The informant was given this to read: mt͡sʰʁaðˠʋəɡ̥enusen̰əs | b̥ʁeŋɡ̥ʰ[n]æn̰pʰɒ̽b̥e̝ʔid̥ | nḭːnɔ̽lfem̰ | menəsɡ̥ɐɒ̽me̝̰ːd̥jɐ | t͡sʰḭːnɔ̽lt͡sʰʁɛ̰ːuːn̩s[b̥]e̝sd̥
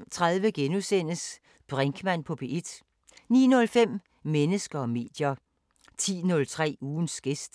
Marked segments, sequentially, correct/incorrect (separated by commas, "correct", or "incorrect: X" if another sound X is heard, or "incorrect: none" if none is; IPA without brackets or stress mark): incorrect: m, incorrect: ɡ̥